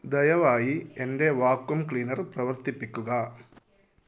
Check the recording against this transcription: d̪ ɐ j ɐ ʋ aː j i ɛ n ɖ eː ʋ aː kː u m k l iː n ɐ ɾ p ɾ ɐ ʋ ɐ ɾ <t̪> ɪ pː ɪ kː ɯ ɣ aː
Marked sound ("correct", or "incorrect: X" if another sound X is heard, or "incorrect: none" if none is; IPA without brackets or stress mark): correct